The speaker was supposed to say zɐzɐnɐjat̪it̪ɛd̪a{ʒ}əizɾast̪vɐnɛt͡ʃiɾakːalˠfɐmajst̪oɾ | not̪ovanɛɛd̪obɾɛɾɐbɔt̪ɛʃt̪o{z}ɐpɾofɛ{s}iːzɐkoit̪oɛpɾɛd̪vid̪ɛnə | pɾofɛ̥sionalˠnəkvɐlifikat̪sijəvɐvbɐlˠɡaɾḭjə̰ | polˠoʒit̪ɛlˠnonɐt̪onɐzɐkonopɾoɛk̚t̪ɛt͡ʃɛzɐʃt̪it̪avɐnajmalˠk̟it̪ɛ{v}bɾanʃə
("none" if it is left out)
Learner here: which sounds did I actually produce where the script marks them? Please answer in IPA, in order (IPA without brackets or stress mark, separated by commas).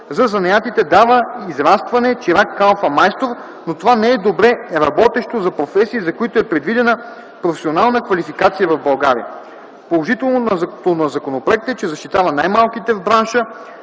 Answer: v, z, s, v